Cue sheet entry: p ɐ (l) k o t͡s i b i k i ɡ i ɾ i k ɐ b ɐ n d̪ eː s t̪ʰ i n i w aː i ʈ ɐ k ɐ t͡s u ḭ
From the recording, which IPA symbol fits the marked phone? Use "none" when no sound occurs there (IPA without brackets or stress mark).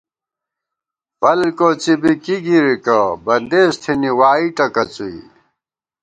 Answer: l